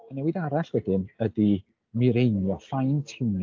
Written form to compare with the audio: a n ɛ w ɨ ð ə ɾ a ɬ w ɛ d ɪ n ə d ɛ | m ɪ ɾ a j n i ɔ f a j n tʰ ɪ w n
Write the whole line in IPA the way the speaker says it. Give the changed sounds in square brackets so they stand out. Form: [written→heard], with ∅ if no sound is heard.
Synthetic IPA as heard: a n ɛ w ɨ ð [ə→a] ɾ a ɬ w ɛ d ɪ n ə d [ɛ→i] | m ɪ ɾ [a→e] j n [i→j] ɔ f a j n tʰ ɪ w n